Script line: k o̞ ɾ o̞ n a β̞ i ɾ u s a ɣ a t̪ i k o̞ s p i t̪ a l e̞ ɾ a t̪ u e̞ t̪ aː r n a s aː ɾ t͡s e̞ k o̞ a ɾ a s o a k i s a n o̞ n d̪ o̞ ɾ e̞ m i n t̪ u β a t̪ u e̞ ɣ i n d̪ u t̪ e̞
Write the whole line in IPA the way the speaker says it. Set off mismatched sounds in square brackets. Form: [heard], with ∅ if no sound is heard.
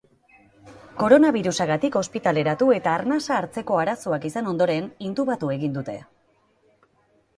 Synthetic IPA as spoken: k o̞ ɾ o̞ n a β̞ i ɾ u s a ɣ a t̪ i k o̞ s p i t̪ a l e̞ ɾ a t̪ u e̞ t̪ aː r n a s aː ɾ t͡s e̞ k o̞ a ɾ a s o a k i s a n o̞ n d̪ o̞ ɾ e̞ [n] i n t̪ u β a t̪ u e̞ ɣ i n d̪ u t̪ e̞

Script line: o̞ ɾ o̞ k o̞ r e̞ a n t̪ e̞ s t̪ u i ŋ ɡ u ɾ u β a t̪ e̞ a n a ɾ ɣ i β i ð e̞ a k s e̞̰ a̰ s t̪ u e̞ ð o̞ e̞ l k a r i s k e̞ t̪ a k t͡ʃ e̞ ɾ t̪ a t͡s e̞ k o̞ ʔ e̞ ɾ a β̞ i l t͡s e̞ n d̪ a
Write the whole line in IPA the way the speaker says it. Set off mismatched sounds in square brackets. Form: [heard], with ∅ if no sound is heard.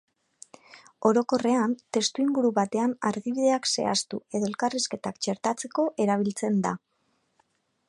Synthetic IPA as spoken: o̞ ɾ o̞ k o̞ r e̞ a n t̪ e̞ s t̪ u i ŋ ɡ u ɾ u β a t̪ e̞ a n a ɾ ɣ i β i ð e̞ a k s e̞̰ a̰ s t̪ u e̞ ð o̞ e̞ l k a r i s k e̞ t̪ a k t͡ʃ e̞ ɾ t̪ a t͡s e̞ k o̞ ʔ e̞ ɾ a β̞ i l t͡s e̞ n d̪ a

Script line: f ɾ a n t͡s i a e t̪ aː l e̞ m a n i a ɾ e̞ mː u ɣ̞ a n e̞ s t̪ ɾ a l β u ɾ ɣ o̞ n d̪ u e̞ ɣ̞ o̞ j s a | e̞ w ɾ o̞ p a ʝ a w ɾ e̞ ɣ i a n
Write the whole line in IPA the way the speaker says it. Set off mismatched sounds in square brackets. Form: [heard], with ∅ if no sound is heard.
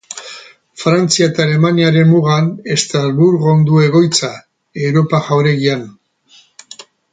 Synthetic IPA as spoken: f ɾ a n t͡s i a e t̪ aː l e̞ m a n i a ɾ e̞ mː u ɣ̞ a n e̞ s t̪ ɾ a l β u ɾ ɣ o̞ n d̪ u e̞ ɣ̞ o̞ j [t͡s] a | e̞ w ɾ o̞ p a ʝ a w ɾ e̞ ɣ i a n

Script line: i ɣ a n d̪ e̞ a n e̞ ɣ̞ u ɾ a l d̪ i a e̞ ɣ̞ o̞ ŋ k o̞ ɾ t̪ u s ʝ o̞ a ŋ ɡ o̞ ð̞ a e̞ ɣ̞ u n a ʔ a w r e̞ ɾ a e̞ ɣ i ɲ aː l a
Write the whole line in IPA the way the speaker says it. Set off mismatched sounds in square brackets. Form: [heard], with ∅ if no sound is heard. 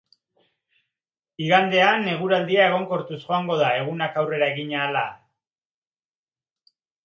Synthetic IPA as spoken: i ɣ a n d̪ e̞ a n e̞ ɣ̞ u ɾ a l d̪ i a e̞ ɣ̞ o̞ ŋ k o̞ ɾ t̪ u s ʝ o̞ a ŋ ɡ o̞ ð̞ a e̞ ɣ̞ u n a [k] a w r e̞ ɾ a e̞ ɣ i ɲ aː l a

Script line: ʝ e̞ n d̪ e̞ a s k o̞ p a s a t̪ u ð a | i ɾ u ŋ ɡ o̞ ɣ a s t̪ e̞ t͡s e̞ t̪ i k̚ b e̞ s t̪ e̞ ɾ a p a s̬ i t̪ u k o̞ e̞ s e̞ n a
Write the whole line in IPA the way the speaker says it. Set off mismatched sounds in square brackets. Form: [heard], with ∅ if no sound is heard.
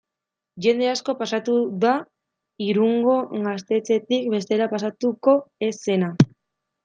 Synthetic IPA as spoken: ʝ e̞ n d̪ e̞ a s k o̞ p a s a t̪ u ð a | i ɾ u ŋ ɡ o̞ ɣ a s t̪ e̞ t͡s e̞ t̪ i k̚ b e̞ s t̪ e̞ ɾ a p a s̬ [a] t̪ u k o̞ e̞ s e̞ n a

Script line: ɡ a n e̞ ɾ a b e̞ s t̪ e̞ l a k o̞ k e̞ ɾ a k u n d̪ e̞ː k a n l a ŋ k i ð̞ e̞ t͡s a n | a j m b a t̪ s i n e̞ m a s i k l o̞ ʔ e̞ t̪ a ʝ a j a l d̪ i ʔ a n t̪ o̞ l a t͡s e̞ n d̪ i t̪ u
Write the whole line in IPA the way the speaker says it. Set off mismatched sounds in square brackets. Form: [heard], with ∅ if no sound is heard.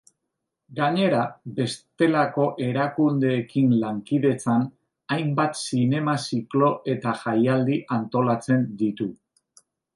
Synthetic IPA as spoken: ɡ a [ɲ] e̞ ɾ a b e̞ s t̪ e̞ l a k o̞ [ʔ] e̞ ɾ a k u n d̪ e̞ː k [i] n l a ŋ k i ð̞ e̞ t͡s a n | a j m b a t̪ s i n e̞ m a s i k l o̞ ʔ e̞ t̪ a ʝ a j a l d̪ i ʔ a n t̪ o̞ l a t͡s e̞ n d̪ i t̪ u

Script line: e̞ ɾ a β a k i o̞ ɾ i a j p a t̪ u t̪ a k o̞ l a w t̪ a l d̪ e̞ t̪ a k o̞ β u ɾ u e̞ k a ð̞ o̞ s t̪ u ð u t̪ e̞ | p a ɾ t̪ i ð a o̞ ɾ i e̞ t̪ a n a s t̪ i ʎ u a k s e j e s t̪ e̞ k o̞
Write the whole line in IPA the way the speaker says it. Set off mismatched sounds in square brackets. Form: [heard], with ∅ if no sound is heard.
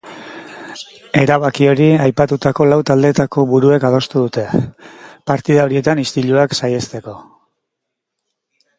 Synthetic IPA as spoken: e̞ ɾ a β a k i o̞ ɾ i a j p a t̪ u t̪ a k o̞ l a w t̪ a l d̪ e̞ t̪ a k o̞ β u ɾ u e̞ k a ð̞ o̞ s t̪ u ð u t̪ e̞ | p a ɾ t̪ i ð a o̞ ɾ i e̞ t̪ a n [i] s t̪ i ʎ u a k s [a] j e s t̪ e̞ k o̞

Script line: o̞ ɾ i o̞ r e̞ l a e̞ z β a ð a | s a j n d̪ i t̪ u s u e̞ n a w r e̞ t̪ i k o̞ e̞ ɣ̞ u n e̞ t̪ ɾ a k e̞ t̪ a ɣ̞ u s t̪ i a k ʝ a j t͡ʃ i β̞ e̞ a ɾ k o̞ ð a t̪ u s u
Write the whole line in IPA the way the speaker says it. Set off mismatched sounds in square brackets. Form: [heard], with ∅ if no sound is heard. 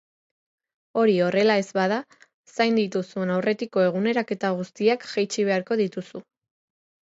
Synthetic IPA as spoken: o̞ ɾ i o̞ r e̞ l a e̞ z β a ð a | s a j n d̪ i t̪ u s u e̞ n a w r e̞ t̪ i k o̞ e̞ ɣ̞ u n e̞ [∅] ɾ a k e̞ t̪ a ɣ̞ u s t̪ i a k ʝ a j t͡ʃ i β̞ e̞ a ɾ k o̞ ð [i] t̪ u s u

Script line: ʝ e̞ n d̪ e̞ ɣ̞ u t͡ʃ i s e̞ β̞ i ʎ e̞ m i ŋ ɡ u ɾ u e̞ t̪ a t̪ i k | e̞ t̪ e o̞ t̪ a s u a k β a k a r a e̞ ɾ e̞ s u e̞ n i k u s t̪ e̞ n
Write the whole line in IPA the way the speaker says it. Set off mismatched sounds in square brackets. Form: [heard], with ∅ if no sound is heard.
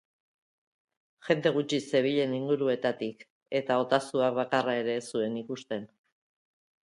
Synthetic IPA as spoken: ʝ e̞ n d̪ e̞ ɣ̞ u t͡ʃ i s e̞ β̞ i ʎ e̞ [n] i ŋ ɡ u ɾ u e̞ t̪ a t̪ i k | e̞ t̪ [a] o̞ t̪ a s u a k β a k a r a e̞ ɾ e̞ s u e̞ n i k u s t̪ e̞ n

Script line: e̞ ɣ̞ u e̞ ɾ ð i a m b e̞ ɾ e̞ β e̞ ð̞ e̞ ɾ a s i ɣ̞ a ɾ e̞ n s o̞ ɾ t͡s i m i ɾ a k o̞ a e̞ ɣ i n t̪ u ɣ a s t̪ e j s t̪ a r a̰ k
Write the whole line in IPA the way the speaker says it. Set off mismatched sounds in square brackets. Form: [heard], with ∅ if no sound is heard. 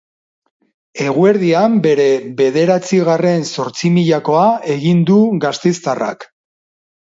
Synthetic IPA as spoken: e̞ ɣ̞ u e̞ ɾ ð i a m b e̞ ɾ e̞ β e̞ ð̞ e̞ ɾ a [t͡s] i ɣ̞ a [r] e̞ n s o̞ ɾ t͡s i m i [ʎ] a k o̞ a e̞ ɣ i n [d̪] u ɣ a s t̪ e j s t̪ a r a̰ k

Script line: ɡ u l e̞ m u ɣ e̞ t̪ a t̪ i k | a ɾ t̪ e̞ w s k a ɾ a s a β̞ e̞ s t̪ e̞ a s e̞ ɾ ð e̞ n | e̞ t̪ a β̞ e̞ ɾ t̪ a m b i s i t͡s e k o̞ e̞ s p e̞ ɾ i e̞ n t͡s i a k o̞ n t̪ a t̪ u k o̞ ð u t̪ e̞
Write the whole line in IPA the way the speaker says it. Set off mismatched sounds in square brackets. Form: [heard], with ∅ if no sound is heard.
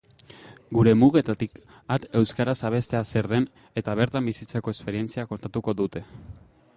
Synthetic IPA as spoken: ɡ u [ɾ] e̞ m u ɣ e̞ t̪ a t̪ i k | a [∅] t̪ e̞ w s k a ɾ a s a β̞ e̞ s t̪ e̞ a s e̞ ɾ ð e̞ n | e̞ t̪ a β̞ e̞ ɾ t̪ a m b i s i t͡s e k o̞ e̞ s p e̞ ɾ i e̞ n t͡s i a k o̞ n t̪ a t̪ u k o̞ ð u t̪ e̞

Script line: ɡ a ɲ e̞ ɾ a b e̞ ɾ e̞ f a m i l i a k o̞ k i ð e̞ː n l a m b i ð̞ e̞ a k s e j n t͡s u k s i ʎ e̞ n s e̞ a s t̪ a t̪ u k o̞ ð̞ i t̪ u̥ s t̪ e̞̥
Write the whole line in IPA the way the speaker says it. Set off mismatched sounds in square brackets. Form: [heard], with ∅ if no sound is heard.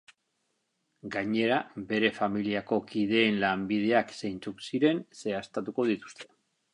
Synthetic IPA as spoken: ɡ a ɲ e̞ ɾ a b e̞ ɾ e̞ f a m i l i a k o̞ k i ð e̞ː n l a m b i ð̞ e̞ a k s e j n t͡s u k s i [ɾ] e̞ n s e̞ a s t̪ a t̪ u k o̞ ð̞ i t̪ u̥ s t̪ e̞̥

